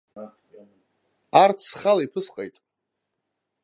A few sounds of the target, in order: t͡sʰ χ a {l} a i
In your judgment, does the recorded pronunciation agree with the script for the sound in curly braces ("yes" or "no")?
yes